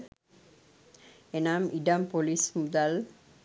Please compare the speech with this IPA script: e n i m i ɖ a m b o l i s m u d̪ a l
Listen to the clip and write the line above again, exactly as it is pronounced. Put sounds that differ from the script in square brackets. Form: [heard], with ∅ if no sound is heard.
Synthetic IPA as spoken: e n [a] m i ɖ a m [p] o l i s m u d̪ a l